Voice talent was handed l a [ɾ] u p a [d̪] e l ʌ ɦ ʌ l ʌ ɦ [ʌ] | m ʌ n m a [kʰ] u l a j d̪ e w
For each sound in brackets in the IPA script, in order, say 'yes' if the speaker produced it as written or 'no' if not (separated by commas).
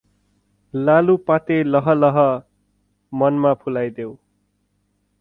no, no, yes, no